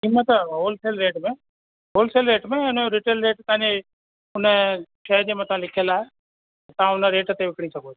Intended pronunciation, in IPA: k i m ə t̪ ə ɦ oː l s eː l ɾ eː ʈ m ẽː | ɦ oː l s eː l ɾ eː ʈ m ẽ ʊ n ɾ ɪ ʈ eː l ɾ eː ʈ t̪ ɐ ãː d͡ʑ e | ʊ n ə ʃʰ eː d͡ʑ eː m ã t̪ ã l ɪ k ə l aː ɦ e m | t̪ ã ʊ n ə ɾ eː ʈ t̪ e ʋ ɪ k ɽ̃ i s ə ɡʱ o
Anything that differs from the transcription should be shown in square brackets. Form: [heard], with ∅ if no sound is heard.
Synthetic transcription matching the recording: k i m ə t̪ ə ɦ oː l s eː l ɾ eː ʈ m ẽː | ɦ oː l s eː l ɾ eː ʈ m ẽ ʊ n ɾ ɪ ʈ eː l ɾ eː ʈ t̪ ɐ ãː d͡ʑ e | ʊ n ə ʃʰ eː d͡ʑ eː m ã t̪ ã l ɪ [kʰ] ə l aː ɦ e [∅] | t̪ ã ʊ n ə ɾ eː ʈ t̪ e ʋ ɪ k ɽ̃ i s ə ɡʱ o